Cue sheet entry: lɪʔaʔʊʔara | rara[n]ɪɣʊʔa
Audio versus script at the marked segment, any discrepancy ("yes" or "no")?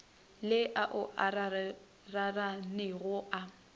no